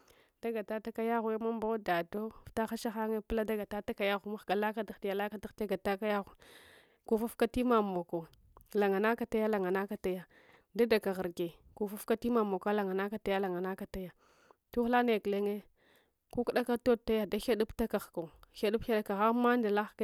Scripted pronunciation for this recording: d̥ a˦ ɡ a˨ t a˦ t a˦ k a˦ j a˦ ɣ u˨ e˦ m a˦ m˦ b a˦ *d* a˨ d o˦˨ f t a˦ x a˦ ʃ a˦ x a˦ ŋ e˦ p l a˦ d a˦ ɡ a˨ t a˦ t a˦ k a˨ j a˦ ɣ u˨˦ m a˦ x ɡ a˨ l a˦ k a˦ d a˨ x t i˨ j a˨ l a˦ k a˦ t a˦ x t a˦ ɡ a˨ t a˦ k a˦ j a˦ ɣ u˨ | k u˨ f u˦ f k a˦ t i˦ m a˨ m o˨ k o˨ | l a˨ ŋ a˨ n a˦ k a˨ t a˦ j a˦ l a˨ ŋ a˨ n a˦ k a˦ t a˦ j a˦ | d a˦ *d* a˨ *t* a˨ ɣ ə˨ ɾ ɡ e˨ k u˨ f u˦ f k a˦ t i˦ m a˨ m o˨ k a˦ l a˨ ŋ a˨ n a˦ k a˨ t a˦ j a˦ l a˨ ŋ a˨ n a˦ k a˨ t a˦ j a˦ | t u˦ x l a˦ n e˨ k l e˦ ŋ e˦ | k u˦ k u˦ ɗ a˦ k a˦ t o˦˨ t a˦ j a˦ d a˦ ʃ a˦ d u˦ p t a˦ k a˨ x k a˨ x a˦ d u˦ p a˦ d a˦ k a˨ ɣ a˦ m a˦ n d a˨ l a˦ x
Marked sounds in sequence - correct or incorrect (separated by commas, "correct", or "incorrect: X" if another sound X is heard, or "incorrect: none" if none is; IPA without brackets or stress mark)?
correct, correct, incorrect: k